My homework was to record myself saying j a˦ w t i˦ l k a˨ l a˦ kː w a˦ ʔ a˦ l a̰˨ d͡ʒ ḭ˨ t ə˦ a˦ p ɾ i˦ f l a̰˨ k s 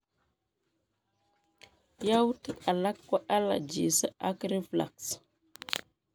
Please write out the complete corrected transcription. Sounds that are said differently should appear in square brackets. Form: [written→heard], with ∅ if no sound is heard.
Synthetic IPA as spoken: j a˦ w t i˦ [l→∅] k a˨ l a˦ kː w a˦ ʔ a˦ l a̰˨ d͡ʒ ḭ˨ [t→s] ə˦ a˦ [p→k] ɾ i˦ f l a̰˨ k s